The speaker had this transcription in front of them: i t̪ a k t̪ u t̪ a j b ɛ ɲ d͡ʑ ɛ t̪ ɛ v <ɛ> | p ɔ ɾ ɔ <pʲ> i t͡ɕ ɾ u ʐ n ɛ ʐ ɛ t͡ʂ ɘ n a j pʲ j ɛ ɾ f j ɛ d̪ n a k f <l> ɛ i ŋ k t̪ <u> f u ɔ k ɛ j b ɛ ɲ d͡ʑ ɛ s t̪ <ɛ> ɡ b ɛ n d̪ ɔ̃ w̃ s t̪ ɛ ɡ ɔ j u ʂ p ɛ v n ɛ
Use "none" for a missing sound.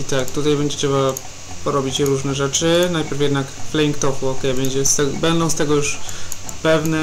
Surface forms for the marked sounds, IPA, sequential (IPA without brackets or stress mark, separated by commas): a, bʲ, l, ɔ, ɛ